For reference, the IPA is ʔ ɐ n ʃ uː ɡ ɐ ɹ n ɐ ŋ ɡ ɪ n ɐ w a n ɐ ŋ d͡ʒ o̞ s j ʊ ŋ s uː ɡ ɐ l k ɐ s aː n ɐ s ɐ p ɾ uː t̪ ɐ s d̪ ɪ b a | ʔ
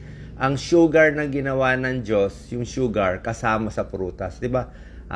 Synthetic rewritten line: ʔ ɐ ŋ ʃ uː ɡ ɐ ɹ n ɐ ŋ ɡ ɪ n ɐ w a n ɐ ŋ d͡ʒ o̞ s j ʊ ŋ ʃ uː ɡ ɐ ɹ k ɐ s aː m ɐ s ɐ p ɾ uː t̪ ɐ s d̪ ɪ b a | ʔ